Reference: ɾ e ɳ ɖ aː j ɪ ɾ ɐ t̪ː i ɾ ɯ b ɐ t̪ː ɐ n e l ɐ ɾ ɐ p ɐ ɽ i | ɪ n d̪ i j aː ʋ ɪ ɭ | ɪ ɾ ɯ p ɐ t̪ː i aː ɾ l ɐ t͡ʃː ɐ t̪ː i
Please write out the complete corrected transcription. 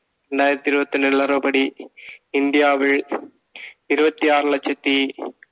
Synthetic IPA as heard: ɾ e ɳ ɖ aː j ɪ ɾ ɐ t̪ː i ɾ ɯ b ɐ t̪ː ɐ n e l ɐ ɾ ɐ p ɐ ɽ i | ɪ n d̪ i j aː ʋ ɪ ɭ | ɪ ɾ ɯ b ɐ t̪ː i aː ɾ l ɐ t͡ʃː ɐ t̪ː i